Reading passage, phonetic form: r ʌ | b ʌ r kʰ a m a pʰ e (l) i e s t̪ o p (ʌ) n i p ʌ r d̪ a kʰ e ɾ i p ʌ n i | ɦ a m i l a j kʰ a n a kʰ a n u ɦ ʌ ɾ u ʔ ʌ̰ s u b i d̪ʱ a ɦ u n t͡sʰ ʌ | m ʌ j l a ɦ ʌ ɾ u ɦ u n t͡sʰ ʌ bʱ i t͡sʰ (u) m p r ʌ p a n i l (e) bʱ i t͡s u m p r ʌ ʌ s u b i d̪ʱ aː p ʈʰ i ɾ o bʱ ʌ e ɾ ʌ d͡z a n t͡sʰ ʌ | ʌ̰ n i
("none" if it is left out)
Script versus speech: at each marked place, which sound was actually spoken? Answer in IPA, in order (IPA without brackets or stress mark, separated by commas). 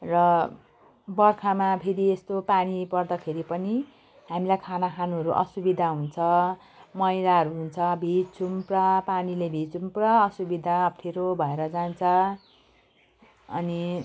ɾ, a, u, e